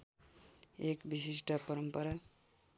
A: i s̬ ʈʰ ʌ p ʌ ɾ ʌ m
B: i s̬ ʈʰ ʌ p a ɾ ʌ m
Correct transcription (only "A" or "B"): A